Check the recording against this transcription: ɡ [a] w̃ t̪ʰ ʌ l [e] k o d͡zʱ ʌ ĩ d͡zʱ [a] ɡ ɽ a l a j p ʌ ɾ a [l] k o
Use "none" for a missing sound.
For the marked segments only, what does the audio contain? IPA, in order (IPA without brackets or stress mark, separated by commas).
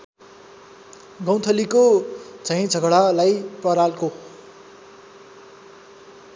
ʌ, i, ʌ, l